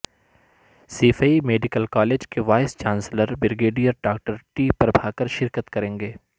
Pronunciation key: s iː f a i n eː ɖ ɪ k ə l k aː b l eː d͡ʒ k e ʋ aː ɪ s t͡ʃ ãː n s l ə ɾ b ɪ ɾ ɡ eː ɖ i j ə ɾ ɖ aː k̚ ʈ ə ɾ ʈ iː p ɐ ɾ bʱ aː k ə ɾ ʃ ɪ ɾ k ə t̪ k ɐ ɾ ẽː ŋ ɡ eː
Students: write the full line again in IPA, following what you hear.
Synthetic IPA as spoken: s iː f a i m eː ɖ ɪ k ə l k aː l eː d͡ʒ k e ʋ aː ɪ s t͡ʃ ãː n s l ə ɾ b ɪ ɾ ɡ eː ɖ i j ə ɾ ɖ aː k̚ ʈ ə ɾ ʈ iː p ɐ ɾ bʱ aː k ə ɾ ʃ ɪ ɾ k ə t̪ k ɐ ɾ ẽː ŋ ɡ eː